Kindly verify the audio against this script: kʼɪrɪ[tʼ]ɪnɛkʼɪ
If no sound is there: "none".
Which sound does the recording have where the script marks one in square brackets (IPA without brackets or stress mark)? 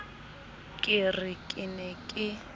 kʼ